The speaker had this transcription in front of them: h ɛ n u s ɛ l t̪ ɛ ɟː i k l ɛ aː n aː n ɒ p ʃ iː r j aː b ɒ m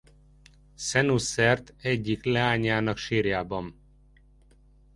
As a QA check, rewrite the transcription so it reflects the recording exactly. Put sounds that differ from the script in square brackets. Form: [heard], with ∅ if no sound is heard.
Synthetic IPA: [s] ɛ n u s ɛ [r] t̪ ɛ ɟː i k l ɛ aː [ɲ] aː n ɒ [k] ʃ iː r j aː b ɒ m